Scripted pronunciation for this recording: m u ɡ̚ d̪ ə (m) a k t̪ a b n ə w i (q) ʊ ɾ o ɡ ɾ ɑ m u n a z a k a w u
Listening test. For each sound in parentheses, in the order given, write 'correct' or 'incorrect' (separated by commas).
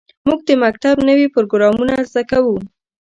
correct, incorrect